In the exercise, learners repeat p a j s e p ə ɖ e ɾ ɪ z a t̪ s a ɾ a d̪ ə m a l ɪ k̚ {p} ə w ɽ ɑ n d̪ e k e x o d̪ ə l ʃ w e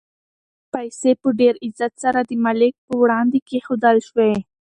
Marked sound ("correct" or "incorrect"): correct